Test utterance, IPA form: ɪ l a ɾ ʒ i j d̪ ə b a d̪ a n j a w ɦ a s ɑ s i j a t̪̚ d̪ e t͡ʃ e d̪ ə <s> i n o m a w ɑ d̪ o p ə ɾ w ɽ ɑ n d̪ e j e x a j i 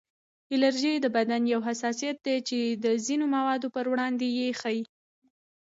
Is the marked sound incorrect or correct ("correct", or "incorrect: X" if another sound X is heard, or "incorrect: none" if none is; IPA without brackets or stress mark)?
incorrect: z